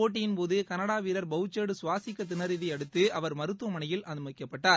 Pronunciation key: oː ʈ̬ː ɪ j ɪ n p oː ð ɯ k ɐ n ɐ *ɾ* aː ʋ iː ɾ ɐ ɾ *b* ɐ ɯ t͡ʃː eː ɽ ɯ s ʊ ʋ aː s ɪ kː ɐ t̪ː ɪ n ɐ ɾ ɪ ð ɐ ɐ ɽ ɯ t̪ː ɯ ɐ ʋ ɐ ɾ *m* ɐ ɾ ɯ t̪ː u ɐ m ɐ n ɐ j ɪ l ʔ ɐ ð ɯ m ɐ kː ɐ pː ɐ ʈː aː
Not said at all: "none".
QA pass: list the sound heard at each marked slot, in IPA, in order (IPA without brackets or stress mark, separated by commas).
ɽ, b, m